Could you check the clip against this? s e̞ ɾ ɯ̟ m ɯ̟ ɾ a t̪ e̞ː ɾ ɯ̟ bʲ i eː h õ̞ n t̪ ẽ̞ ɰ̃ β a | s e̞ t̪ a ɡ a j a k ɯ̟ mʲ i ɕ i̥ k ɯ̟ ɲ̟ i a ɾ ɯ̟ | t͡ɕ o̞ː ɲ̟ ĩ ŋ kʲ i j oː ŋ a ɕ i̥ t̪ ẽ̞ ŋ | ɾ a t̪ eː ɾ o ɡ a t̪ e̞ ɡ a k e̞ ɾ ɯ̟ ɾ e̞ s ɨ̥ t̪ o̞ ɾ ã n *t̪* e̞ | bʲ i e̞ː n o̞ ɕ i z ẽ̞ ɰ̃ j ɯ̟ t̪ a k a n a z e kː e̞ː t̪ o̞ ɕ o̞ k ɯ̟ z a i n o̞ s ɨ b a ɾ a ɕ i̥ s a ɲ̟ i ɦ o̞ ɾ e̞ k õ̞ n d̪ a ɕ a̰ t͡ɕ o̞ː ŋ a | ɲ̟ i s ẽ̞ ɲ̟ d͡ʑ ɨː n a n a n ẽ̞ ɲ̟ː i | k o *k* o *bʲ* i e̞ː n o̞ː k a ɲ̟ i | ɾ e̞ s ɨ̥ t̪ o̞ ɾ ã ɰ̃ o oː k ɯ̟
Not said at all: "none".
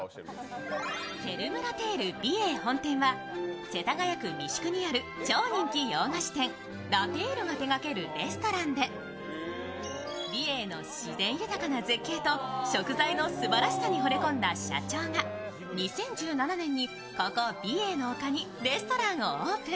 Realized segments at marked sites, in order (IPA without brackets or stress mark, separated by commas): d̪, k, bʲ